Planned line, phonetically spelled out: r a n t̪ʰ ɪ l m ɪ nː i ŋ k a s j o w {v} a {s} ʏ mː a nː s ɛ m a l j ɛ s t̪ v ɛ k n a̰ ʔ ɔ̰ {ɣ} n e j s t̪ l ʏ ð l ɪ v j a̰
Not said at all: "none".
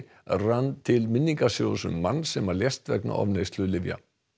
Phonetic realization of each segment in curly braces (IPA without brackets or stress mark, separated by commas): ð, s, v